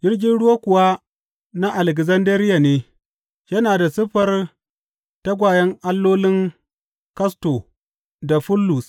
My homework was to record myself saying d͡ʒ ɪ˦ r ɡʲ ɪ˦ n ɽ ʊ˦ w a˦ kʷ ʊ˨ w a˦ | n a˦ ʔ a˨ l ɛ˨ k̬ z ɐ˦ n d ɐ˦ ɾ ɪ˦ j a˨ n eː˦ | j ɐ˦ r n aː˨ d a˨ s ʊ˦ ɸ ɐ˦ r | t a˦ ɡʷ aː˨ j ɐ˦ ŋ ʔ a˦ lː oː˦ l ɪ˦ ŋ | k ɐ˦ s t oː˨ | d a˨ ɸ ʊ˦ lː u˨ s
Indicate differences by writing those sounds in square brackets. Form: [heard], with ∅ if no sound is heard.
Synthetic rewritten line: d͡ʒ ɪ˦ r ɡʲ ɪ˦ n ɽ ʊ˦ w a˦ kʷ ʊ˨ w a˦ | n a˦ ʔ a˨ l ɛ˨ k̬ z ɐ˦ n d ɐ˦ ɾ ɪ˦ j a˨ n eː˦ | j ɐ˦ [∅] n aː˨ d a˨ s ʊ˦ ɸ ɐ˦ r | t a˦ ɡʷ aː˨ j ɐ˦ ŋ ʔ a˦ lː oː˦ l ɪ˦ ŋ | k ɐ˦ s t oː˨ | d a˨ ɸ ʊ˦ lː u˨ s